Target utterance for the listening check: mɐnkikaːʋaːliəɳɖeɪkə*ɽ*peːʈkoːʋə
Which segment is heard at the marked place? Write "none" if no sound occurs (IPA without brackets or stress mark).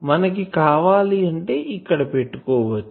ɽ